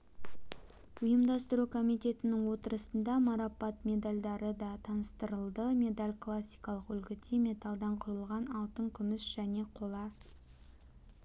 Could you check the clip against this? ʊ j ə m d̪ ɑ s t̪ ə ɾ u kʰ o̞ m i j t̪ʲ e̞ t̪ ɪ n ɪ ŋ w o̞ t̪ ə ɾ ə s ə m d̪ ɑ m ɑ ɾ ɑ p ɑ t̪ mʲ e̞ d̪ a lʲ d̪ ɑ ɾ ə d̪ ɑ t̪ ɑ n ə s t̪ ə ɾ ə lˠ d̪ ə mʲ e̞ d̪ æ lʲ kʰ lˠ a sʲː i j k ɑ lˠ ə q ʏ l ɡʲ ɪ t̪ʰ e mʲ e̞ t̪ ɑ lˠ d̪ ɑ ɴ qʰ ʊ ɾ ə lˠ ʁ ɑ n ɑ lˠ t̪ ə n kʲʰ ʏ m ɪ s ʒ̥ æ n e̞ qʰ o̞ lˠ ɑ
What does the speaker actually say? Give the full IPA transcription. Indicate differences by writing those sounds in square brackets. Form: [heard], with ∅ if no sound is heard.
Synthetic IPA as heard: ʊ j ə m d̪ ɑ s t̪ ə ɾ u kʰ o̞ m i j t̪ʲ e̞ t̪ ɪ n ɪ ŋ w o̞ t̪ ə ɾ ə s ə [n] d̪ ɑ m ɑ ɾ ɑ p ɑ t̪ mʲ e̞ d̪ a lʲ d̪ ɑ ɾ ə d̪ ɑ [t̪ʰ] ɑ n ə s t̪ ə ɾ ə lˠ d̪ ə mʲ e̞ d̪ [a] lʲ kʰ lˠ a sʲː i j k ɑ lˠ ə q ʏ l ɡʲ ɪ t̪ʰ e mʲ e̞ t̪ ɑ lˠ d̪ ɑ ɴ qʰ ʊ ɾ ə lˠ ʁ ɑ n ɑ lˠ t̪ ə [ŋ] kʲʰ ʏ m ɪ s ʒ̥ æ n e̞ qʰ o̞ lˠ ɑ